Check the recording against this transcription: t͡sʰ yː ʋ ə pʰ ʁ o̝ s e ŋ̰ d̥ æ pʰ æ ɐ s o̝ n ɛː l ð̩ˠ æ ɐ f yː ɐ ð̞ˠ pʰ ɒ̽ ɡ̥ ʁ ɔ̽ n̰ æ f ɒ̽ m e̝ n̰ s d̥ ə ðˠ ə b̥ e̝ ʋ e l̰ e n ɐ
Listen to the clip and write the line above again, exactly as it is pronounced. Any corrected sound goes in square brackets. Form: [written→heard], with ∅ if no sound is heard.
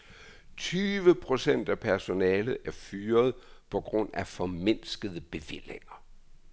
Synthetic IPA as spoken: t͡sʰ yː ʋ ə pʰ ʁ o̝ s e [ŋ̰→n̰] d̥ æ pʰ æ ɐ s o̝ n ɛː l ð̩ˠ æ ɐ f yː ɐ ð̞ˠ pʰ ɒ̽ ɡ̥ ʁ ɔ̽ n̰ æ f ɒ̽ m e̝ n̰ s [d̥→ɡ̥] ə ðˠ ə b̥ e̝ ʋ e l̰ e [n→ŋ] ɐ